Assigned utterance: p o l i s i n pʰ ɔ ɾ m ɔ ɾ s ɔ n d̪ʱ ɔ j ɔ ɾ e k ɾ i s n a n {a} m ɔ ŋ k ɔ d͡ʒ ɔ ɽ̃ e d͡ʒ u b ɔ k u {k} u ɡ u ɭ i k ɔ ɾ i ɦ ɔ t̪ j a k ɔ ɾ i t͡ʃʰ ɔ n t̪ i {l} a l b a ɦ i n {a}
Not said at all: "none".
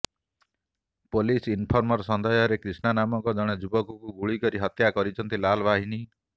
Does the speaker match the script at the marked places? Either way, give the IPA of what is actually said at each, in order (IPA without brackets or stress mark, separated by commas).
a, k, l, i